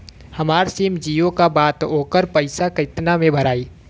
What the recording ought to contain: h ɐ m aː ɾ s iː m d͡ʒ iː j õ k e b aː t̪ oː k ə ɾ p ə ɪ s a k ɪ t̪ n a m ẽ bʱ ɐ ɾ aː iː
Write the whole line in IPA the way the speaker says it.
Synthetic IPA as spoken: h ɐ m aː ɾ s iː m d͡ʒ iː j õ k a b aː t̪ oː k ə ɾ p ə ɪ s a k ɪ t̪ n a m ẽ bʱ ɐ ɾ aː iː